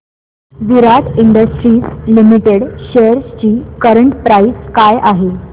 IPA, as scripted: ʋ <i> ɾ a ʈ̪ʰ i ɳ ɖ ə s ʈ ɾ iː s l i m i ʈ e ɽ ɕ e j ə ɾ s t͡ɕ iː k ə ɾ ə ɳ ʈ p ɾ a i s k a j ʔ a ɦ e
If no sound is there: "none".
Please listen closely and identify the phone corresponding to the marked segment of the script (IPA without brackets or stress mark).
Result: i